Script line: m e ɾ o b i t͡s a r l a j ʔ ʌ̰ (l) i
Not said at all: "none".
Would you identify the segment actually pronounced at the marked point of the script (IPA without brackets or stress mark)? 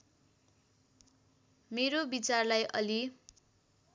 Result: l